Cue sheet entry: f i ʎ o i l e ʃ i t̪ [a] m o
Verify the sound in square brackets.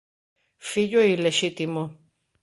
incorrect: i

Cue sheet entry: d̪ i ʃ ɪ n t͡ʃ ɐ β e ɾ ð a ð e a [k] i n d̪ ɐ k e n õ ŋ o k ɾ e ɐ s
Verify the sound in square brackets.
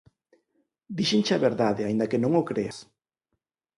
incorrect: none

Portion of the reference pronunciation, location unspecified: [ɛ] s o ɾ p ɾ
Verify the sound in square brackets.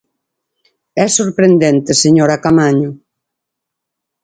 correct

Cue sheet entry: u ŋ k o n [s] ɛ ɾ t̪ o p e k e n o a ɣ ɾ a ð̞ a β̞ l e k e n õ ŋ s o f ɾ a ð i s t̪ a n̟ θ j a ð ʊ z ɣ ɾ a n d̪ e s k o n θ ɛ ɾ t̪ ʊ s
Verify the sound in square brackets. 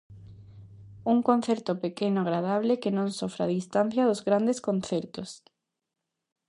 incorrect: θ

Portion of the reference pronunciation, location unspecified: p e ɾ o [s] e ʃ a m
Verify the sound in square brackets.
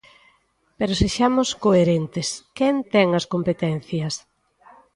correct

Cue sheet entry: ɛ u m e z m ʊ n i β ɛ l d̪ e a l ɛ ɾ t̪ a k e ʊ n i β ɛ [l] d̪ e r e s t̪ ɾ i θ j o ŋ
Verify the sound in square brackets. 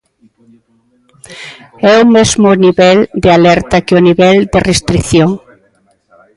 correct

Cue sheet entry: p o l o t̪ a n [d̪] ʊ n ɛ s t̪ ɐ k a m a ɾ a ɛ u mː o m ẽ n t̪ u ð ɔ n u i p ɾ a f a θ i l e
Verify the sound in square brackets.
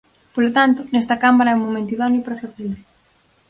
incorrect: t̪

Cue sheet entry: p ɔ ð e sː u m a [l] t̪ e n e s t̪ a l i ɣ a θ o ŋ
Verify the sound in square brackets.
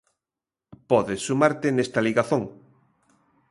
incorrect: ɾ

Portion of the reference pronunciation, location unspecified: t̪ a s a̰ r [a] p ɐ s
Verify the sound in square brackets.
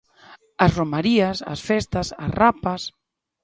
correct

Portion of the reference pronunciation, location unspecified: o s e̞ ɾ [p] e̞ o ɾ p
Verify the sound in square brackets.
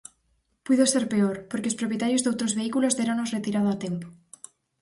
correct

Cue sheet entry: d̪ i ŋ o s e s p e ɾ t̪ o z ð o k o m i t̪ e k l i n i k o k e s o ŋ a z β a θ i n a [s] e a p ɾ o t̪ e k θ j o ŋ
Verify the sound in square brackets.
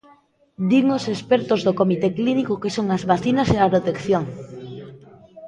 correct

